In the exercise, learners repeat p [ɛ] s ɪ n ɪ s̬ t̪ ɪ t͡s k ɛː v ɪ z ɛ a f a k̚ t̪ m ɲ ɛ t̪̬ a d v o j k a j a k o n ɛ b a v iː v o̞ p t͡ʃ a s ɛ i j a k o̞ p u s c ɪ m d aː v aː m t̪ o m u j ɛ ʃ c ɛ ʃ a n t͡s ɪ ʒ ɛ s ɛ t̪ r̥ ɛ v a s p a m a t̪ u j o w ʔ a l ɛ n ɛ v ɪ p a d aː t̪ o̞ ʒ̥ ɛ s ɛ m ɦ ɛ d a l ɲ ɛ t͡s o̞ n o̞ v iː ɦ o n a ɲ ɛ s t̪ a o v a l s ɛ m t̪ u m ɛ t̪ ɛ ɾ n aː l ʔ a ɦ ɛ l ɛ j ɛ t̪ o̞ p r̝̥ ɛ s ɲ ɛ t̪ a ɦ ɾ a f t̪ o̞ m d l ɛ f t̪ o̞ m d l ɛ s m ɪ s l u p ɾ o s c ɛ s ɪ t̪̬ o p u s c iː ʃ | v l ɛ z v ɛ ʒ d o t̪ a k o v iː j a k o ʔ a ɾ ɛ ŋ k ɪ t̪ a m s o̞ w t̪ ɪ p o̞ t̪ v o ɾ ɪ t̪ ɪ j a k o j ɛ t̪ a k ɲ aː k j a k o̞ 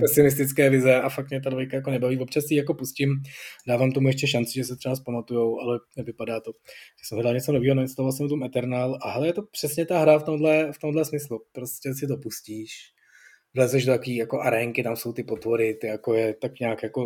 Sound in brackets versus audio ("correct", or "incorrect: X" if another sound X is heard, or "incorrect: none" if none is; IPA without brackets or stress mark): correct